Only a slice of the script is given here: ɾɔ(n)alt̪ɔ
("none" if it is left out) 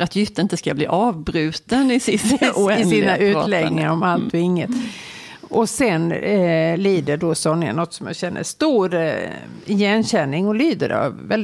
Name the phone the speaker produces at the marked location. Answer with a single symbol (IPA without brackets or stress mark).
m